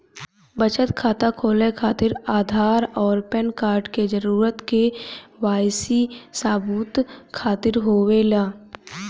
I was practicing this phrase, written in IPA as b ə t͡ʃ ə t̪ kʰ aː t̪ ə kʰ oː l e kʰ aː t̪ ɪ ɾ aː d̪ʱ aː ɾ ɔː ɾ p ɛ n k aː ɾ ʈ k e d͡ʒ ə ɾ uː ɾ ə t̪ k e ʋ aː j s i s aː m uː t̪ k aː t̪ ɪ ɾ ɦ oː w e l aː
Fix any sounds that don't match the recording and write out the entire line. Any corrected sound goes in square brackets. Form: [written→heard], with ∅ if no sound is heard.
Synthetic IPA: b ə t͡ʃ ə t̪ kʰ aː t̪ [ə→a] kʰ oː l e kʰ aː t̪ ɪ ɾ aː d̪ʱ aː ɾ ɔː ɾ p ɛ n k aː ɾ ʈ k e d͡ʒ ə ɾ uː ɾ ə t̪ k e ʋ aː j s i s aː [m→b] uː t̪ [k→kʰ] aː t̪ ɪ ɾ ɦ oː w e l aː